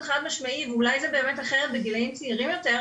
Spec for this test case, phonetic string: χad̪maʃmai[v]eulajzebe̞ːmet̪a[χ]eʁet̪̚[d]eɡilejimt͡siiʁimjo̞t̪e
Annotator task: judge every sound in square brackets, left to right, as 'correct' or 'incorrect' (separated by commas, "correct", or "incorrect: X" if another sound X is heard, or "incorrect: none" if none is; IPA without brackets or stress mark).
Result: correct, correct, incorrect: b